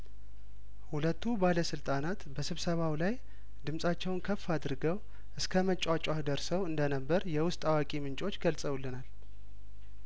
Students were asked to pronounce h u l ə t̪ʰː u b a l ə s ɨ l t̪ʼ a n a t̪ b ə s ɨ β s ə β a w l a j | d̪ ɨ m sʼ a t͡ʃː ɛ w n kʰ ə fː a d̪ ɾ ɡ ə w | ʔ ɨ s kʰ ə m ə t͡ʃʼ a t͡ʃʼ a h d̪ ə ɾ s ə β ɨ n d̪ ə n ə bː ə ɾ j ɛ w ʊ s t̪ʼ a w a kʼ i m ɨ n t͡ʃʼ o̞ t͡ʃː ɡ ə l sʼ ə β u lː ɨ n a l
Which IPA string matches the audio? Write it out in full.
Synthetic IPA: h u l ə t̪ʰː u b a l ə s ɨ l t̪ʼ a n a t̪ b ə s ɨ β s ə β a w l a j | d̪ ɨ m sʼ a t͡ʃː ɛ w n kʰ ə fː a d̪ ɾ ɡ ə w | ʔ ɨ s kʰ ə m ə t͡ʃʼ a t͡ʃʼ a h d̪ ə ɾ s ə w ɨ n d̪ ə n ə bː ə ɾ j ɛ w ʊ s t̪ʼ a w a kʼ i m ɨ n t͡ʃʼ o̞ t͡ʃː ɡ ə l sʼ ə w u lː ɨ n a l